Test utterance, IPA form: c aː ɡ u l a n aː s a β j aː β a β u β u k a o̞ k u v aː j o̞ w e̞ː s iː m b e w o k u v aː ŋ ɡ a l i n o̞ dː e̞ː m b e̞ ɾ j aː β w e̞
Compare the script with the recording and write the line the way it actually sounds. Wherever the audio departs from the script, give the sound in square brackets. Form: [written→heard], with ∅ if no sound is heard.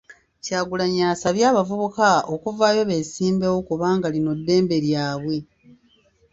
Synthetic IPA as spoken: c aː ɡ u l a [n→ɲ] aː s a β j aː β a [β→v] u β u k a o̞ k u v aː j o̞ [w→β] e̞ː s iː m b e w o k u [v→β] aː ŋ ɡ a l i n o̞ dː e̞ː m b e̞ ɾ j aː β w e̞

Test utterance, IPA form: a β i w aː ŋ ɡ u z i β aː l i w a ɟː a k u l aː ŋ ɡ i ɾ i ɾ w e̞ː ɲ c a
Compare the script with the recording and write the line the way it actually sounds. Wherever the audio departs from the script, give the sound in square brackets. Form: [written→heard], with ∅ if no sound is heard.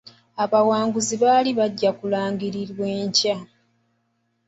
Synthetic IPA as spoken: a β [i→a] w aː ŋ ɡ u z i β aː l i [w→β] a ɟː a k u l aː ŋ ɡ i ɾ i ɾ w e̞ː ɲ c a

